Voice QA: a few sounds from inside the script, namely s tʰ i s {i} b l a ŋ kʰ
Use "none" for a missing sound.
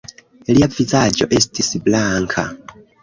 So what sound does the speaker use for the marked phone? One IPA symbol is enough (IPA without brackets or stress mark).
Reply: i